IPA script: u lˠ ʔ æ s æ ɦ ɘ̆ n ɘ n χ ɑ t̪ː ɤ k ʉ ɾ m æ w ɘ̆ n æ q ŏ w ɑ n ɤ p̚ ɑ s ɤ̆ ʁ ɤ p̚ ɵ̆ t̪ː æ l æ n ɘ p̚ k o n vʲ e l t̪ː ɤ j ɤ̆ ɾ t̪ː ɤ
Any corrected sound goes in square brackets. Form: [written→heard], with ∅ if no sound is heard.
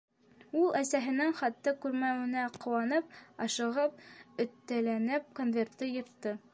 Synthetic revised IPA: u lˠ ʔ æ s æ ɦ ɘ̆ n ɘ [n→ŋ] χ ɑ t̪ː ɤ k ʉ ɾ m æ w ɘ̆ n æ q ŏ w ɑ n ɤ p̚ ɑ [s→ʃ] ɤ̆ ʁ ɤ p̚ ɵ̆ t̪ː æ l æ n ɘ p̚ k o n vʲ e [l→r] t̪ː ɤ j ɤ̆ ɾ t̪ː ɤ